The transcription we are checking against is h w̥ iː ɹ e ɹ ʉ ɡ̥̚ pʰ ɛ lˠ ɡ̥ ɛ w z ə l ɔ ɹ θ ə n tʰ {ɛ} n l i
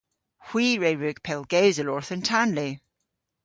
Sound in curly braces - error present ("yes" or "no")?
yes